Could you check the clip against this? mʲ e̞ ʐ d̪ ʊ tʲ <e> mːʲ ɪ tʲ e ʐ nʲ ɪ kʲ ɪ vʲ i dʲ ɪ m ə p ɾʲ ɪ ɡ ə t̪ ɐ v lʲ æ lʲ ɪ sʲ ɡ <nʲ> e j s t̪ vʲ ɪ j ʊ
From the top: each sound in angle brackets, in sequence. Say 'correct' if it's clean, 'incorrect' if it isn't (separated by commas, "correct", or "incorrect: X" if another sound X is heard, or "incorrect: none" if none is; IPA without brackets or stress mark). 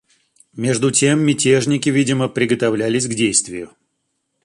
correct, incorrect: dʲ